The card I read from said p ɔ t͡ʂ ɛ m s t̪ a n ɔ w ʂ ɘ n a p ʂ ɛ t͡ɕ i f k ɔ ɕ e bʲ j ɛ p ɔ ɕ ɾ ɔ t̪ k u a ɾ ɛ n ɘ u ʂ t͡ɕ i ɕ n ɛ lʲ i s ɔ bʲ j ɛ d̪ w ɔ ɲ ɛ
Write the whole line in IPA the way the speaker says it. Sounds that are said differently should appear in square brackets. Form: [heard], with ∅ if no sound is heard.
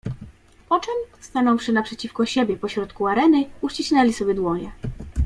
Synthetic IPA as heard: p ɔ t͡ʂ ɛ m s t̪ a n ɔ w ʂ ɘ n a p ʂ ɛ t͡ɕ i f k ɔ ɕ e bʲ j ɛ p ɔ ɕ ɾ ɔ t̪ k u a ɾ ɛ n ɘ u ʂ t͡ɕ i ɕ n ɛ lʲ i s ɔ bʲ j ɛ d̪ w ɔ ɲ ɛ